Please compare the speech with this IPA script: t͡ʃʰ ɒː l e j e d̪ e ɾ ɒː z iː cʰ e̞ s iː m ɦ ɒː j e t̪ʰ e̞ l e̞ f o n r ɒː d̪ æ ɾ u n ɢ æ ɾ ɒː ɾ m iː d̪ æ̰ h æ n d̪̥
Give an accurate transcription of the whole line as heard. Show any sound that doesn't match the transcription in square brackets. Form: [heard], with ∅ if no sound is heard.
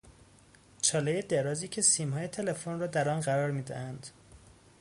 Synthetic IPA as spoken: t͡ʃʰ ɒː l e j e d̪ e ɾ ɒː z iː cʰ e̞ s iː m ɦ ɒː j e t̪ʰ e̞ l e̞ f o n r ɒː d̪ æ ɾ [ɒ] n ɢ æ ɾ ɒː ɾ m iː d̪ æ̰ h æ n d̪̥